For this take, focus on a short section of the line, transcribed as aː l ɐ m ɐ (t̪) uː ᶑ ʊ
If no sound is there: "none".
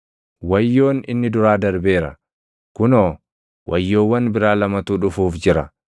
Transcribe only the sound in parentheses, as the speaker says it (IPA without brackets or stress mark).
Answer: t̪